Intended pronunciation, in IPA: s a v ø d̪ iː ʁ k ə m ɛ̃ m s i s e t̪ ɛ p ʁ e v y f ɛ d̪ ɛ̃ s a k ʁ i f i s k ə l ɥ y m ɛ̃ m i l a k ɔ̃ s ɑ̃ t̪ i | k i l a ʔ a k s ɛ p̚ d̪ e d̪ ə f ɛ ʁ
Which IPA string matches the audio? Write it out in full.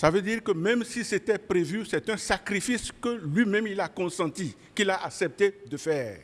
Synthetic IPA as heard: s a v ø d̪ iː ʁ k ə m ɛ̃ m s i s e t̪ ɛ p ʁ e v y s ɛ t̪ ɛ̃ s a k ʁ i f i s k ə l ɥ i m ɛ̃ m i l a k ɔ̃ s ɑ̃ t̪ i | k i l a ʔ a k s ɛ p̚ t̪ e d̪ ə f ɛː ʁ